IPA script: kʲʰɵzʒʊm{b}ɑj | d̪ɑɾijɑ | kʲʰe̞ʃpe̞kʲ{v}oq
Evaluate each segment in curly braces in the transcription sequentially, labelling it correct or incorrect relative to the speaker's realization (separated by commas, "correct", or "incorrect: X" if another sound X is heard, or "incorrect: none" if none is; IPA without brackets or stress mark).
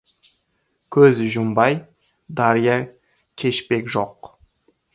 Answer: correct, incorrect: ʒ